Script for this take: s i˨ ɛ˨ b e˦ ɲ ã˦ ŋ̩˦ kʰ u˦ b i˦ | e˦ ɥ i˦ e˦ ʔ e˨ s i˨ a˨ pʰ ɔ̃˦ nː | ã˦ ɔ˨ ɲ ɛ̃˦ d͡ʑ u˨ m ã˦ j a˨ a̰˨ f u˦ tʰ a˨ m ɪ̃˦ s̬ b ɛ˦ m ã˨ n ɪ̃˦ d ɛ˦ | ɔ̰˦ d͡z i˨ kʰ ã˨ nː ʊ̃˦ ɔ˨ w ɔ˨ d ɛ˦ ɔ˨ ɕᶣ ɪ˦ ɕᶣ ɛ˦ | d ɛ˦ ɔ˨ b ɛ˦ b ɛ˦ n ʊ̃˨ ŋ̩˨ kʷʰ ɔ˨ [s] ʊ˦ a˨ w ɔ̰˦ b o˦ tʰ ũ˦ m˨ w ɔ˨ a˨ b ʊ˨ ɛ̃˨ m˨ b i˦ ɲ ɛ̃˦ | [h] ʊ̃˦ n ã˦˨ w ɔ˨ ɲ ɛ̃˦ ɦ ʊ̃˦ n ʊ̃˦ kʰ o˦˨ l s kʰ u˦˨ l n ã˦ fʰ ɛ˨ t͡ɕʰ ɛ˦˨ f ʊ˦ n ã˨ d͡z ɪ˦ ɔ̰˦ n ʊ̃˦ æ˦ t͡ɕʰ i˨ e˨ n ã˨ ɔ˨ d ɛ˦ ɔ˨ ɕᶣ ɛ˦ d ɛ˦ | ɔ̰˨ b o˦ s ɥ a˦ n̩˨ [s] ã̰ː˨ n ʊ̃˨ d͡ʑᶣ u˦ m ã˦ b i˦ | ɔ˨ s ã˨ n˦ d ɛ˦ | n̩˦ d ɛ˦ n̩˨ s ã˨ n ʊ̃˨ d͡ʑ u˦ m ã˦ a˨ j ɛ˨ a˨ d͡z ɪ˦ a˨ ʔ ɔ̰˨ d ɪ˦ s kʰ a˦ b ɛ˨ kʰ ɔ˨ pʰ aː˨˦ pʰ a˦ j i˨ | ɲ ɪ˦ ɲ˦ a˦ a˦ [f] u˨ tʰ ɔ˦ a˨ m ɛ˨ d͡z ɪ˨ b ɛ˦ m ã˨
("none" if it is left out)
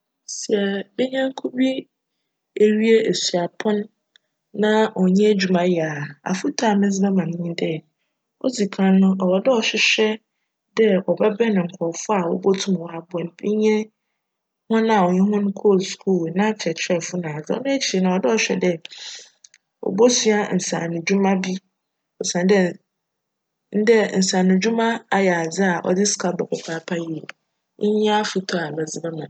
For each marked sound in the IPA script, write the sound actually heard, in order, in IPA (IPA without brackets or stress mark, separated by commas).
f, h, s, f